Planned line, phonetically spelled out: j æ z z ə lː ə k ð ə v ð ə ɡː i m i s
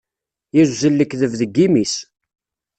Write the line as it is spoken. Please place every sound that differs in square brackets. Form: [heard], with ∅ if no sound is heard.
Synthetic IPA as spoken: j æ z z ə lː ə k ð ə v ð ə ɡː i m i s